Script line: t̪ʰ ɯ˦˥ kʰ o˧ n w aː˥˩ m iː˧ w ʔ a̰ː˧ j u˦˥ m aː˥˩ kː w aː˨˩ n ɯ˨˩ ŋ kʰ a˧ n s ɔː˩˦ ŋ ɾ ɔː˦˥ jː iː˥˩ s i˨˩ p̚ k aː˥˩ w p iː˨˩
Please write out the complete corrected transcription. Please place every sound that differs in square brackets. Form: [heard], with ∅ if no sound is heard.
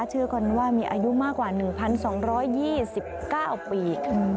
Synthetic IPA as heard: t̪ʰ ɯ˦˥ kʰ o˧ n w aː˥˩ m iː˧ [∅] ʔ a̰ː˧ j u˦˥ m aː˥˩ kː w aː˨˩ n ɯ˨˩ ŋ [pʰ] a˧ n s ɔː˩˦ ŋ ɾ ɔː˦˥ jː iː˥˩ s i˨˩ p̚ k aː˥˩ w p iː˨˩